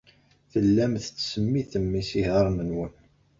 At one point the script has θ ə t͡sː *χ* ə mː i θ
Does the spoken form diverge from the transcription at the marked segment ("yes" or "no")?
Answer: yes